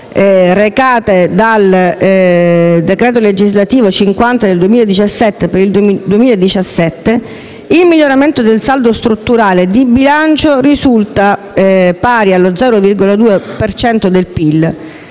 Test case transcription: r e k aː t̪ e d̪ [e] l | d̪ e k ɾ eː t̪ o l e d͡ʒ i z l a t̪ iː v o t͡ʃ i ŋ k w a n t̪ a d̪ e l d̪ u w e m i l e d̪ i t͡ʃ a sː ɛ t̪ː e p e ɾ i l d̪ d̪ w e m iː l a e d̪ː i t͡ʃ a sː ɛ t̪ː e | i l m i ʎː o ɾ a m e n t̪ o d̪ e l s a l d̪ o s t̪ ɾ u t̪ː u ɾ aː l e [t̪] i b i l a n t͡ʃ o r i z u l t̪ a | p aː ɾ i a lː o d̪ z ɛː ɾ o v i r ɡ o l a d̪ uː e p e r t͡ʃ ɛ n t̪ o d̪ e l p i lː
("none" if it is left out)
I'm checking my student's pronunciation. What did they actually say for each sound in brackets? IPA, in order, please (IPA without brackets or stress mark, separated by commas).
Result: a, d̪